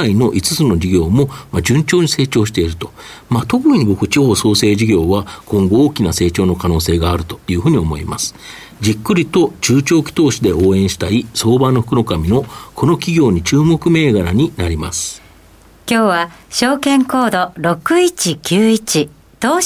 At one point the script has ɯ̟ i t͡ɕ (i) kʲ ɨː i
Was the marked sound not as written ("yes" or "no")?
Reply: no